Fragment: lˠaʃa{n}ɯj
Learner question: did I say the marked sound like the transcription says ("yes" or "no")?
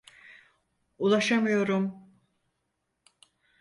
no